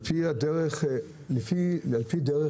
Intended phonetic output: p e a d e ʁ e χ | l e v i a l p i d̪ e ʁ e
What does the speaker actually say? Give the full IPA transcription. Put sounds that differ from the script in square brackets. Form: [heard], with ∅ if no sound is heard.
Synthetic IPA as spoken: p [i] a d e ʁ e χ | l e [f] i a l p i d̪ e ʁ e